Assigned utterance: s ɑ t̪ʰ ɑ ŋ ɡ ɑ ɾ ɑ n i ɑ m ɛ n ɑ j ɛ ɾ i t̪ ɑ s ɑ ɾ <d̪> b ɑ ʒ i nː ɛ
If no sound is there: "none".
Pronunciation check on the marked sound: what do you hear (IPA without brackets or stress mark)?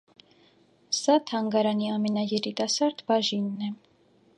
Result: d̪